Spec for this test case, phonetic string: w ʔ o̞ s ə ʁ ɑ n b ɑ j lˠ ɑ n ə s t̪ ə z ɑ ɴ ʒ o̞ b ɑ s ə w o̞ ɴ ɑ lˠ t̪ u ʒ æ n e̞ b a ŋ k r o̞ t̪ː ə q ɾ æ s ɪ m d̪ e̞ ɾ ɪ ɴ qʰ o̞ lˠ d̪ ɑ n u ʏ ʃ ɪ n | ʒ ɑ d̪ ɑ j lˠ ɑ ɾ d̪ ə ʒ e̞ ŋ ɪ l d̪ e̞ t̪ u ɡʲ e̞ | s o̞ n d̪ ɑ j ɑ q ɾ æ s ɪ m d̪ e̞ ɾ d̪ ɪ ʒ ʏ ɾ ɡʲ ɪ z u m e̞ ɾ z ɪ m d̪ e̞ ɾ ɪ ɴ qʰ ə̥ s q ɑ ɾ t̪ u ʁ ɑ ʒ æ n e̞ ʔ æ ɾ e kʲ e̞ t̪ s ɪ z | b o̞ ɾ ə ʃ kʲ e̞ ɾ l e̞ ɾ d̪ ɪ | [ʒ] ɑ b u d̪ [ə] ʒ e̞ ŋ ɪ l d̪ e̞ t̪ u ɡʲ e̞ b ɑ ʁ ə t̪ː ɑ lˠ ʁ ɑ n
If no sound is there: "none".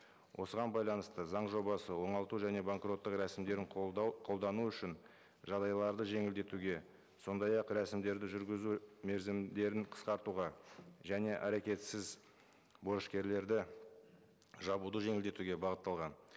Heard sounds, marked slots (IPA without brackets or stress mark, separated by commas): ʒ, ə